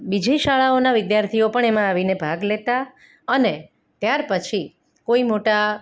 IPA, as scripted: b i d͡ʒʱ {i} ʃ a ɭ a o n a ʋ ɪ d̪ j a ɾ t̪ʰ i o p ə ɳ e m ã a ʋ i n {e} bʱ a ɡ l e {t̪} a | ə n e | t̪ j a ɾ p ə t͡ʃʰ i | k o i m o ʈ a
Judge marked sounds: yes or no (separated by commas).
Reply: yes, yes, yes